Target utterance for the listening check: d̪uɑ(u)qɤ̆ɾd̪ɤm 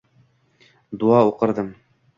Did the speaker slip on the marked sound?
no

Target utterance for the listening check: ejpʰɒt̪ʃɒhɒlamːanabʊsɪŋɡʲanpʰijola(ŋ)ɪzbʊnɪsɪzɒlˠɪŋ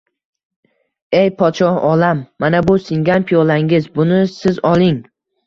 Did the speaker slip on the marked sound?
no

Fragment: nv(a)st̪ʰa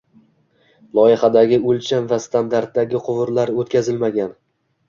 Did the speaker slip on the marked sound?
no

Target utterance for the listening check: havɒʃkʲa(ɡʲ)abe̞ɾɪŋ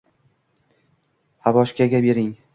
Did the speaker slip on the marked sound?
no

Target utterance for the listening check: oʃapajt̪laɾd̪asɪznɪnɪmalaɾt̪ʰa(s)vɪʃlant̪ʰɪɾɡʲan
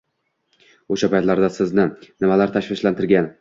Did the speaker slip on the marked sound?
yes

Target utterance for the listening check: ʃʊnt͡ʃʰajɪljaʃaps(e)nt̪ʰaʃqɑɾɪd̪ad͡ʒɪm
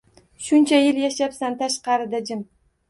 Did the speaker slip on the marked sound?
yes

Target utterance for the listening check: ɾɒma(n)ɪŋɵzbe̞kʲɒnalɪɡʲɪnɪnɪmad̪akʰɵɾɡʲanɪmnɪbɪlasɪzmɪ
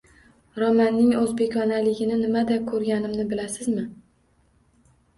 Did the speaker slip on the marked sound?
yes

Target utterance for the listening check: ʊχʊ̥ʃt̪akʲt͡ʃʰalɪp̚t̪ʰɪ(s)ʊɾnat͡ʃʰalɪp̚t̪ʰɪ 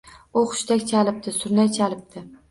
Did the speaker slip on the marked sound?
no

